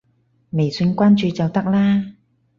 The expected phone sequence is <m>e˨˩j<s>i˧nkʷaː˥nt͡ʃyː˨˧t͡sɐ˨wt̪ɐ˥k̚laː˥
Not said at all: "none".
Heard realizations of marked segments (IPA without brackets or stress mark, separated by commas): m, s